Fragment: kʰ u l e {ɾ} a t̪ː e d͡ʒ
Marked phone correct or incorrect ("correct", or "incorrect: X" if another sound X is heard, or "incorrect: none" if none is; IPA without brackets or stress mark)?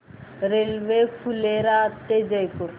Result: correct